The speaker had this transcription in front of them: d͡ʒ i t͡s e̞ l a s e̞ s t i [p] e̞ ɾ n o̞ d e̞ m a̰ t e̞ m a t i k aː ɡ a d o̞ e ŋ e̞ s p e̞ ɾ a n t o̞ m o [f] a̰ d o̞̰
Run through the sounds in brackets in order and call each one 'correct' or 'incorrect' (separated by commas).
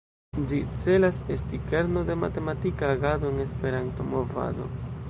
incorrect, incorrect